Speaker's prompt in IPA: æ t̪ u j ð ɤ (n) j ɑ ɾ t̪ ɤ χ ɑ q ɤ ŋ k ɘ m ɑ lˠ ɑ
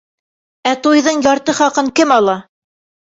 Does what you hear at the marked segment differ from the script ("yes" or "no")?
yes